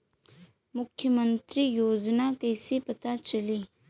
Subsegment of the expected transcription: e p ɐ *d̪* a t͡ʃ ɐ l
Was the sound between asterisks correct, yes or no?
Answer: no